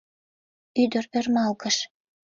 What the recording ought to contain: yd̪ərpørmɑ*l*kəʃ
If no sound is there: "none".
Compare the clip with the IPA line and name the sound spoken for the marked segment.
l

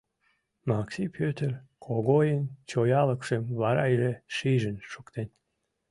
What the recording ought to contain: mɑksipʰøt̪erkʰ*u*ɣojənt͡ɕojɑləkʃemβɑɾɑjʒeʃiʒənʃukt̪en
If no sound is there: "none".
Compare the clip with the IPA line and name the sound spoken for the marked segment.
o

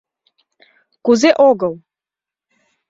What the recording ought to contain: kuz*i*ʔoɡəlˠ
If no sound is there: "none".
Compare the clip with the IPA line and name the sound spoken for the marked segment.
e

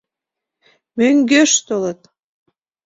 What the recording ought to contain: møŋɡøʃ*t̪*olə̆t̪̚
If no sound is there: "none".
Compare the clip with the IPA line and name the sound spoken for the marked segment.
t̪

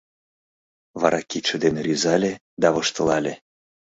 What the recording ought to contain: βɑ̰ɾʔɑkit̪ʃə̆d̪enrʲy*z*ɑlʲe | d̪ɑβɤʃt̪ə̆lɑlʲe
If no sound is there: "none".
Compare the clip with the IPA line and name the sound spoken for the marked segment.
z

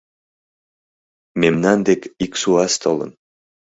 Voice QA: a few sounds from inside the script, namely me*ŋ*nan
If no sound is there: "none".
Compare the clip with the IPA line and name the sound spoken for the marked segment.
m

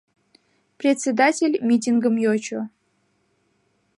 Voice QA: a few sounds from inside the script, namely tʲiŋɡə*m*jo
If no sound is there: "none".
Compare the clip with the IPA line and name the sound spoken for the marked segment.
m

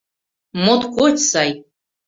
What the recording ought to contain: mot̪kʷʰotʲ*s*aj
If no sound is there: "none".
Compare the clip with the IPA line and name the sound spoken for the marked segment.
s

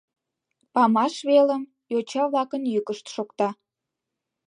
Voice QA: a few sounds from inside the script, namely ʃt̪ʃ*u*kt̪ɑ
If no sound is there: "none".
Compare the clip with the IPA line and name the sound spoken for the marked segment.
o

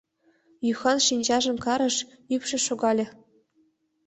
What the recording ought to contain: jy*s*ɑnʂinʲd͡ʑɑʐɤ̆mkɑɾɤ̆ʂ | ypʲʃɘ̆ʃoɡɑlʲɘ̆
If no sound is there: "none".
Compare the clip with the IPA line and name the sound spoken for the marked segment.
x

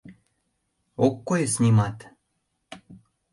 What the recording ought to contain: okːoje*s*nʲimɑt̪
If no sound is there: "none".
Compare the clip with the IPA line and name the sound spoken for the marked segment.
s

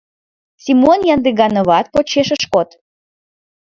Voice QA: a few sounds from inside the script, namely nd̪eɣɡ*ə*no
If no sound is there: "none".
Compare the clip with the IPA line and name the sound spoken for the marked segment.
ɑ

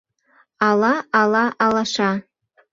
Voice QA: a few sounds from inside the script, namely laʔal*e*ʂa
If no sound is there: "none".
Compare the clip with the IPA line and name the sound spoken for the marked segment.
a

